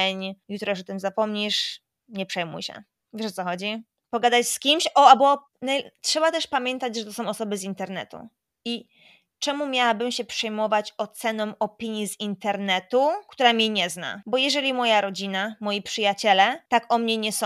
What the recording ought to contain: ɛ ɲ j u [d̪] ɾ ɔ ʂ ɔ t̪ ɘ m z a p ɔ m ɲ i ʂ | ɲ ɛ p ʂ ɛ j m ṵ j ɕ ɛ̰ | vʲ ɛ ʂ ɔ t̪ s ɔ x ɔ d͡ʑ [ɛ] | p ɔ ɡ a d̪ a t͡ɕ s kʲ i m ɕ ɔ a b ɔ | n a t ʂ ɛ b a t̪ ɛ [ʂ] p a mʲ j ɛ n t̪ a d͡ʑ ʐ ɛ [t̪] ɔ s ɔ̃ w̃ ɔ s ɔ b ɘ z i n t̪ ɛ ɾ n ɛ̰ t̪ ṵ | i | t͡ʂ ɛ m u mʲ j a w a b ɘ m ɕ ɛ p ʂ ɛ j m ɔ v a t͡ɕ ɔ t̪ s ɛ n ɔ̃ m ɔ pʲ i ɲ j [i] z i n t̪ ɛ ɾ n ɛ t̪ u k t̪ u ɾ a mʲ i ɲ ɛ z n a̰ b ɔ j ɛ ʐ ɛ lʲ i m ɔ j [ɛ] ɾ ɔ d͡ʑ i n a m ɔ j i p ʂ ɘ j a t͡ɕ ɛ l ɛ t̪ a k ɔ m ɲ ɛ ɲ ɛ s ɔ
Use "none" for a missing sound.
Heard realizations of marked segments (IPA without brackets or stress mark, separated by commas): t̪, i, ʂ, t̪, i, a